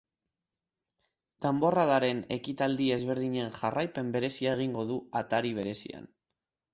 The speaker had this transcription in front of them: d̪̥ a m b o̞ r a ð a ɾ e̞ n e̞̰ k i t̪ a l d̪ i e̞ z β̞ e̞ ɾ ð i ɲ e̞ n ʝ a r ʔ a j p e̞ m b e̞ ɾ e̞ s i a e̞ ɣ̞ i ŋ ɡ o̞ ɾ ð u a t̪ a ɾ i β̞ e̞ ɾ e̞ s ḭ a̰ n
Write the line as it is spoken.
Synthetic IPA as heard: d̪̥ a m b o̞ r a ð a ɾ e̞ n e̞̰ k i t̪ a l d̪ i e̞ z β̞ e̞ ɾ ð i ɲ e̞ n ʝ a r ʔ a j p e̞ m b e̞ ɾ e̞ s i a e̞ ɣ̞ i ŋ ɡ o̞ ð u a t̪ a ɾ i β̞ e̞ ɾ e̞ s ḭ a̰ n